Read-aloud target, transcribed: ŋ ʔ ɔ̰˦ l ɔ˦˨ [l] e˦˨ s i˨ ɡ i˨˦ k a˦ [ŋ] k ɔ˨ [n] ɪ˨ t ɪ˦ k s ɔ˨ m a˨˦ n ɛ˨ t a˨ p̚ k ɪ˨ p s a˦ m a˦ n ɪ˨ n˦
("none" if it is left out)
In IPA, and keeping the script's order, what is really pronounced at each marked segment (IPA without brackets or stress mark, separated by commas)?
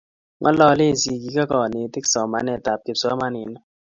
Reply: l, none, n